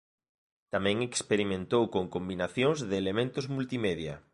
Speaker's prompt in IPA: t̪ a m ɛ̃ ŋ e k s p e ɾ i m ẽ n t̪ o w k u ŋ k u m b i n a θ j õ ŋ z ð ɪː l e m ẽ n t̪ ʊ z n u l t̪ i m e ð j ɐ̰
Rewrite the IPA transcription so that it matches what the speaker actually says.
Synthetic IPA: t̪ a m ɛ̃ ŋ e k s p e ɾ i m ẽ n t̪ o w k o ŋ k o m b i n a θ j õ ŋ z ð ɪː l e m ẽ n t̪ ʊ z m u l t̪ i m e ð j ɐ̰